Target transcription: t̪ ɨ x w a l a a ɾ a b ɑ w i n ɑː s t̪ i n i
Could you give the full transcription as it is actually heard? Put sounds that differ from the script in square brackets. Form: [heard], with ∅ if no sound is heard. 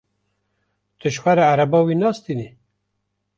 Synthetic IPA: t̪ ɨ [ʃ] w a [ɾ] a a ɾ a b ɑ w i n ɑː s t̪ i n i

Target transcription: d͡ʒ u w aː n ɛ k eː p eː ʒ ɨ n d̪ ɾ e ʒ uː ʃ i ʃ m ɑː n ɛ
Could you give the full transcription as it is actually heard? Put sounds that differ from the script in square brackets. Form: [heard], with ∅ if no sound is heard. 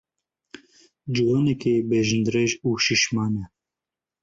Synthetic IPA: d͡ʒ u w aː n ɛ k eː [b] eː ʒ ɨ n d̪ ɾ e ʒ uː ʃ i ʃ m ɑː n ɛ

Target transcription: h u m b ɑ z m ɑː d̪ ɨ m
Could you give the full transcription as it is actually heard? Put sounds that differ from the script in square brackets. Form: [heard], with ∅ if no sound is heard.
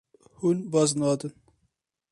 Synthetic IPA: h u [n] b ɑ z [n] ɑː d̪ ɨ [n]

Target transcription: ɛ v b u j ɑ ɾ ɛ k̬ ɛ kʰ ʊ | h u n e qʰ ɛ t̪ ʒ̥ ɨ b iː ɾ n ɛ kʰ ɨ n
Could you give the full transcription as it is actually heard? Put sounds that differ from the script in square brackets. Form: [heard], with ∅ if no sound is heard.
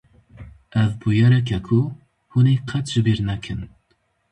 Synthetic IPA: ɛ v b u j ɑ ɾ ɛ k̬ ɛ kʰ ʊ | h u n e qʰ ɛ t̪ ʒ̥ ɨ b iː ɾ n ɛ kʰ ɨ n

